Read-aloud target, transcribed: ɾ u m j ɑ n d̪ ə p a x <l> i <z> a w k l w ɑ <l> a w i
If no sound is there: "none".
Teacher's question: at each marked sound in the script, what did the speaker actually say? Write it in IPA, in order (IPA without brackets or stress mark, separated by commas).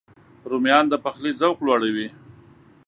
l, z, ɽ